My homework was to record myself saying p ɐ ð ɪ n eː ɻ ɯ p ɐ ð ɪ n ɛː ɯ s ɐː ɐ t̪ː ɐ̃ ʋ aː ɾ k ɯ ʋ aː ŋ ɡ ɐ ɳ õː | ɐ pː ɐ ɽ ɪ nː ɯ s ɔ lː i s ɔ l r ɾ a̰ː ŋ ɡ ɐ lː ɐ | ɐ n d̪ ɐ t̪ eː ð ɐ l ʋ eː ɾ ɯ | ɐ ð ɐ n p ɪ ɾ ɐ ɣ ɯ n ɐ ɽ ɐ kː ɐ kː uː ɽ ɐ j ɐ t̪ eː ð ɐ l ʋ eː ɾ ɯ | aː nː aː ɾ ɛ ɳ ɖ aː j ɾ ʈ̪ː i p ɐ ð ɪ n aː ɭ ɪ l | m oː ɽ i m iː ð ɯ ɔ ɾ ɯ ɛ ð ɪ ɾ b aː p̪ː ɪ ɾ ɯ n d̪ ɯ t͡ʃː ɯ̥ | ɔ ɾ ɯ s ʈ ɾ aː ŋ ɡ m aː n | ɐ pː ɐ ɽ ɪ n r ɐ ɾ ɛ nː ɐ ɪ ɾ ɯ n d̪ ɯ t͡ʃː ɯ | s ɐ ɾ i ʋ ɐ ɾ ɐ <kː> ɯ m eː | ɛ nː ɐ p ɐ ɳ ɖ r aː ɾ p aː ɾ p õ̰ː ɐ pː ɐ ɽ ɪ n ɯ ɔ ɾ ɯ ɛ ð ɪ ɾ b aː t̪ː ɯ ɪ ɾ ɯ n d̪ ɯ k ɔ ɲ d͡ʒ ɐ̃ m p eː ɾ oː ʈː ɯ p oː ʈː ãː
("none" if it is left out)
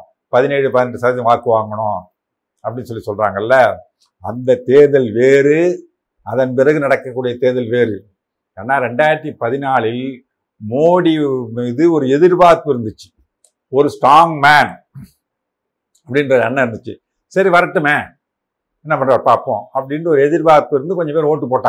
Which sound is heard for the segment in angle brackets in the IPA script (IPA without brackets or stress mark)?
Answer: ʈː